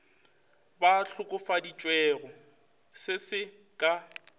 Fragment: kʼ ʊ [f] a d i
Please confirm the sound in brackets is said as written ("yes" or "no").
yes